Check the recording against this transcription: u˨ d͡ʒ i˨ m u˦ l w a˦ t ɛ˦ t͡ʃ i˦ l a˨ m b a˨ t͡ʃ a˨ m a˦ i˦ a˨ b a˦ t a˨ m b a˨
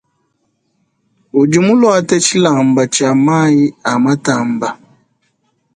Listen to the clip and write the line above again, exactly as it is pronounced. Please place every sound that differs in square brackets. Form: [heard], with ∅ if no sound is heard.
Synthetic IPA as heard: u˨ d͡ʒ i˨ m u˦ l w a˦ t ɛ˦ t͡ʃ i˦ l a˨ m b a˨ t͡ʃ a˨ m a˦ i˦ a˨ [m] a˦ t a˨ m b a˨